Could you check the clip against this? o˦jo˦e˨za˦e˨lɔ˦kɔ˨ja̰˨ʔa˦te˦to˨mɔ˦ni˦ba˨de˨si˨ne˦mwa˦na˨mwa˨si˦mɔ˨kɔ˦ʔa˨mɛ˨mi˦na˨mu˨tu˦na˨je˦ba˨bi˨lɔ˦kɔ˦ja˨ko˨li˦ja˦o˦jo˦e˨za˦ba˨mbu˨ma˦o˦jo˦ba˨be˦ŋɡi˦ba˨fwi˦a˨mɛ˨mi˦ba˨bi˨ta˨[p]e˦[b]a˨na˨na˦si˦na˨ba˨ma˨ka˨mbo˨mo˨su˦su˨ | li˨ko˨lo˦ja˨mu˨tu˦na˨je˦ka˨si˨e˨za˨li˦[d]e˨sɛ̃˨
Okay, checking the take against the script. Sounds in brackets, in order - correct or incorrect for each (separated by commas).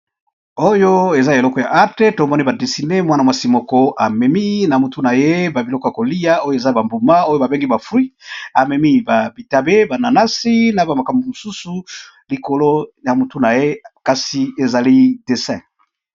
incorrect, correct, correct